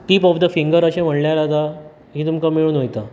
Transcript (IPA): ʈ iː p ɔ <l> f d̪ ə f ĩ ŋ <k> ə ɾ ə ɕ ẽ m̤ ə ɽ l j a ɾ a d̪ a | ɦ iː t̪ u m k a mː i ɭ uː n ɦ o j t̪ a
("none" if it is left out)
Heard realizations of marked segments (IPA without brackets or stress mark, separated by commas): none, ɡ